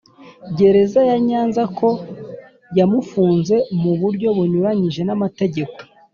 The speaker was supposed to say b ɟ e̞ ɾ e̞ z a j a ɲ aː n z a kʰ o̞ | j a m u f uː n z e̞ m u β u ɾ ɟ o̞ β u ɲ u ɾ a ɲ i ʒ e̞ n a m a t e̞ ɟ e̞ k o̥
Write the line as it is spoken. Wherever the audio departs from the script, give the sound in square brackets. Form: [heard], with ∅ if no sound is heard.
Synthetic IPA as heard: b ɟ e̞ ɾ e̞ z a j a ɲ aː n z a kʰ o̞ | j a m u f uː n z e̞ m u β u ɾ ɟ o̞ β u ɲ u ɾ a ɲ i ʒ e̞ n a m a t e̞ ɟ e̞ k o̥